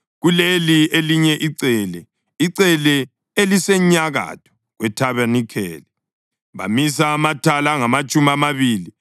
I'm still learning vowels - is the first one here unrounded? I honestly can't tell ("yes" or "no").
no